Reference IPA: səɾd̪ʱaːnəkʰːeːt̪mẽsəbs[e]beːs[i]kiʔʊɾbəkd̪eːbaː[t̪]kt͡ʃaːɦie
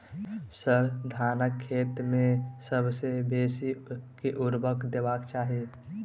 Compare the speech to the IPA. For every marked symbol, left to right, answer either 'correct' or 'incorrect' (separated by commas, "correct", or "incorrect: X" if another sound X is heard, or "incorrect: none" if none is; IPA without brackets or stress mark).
correct, correct, incorrect: none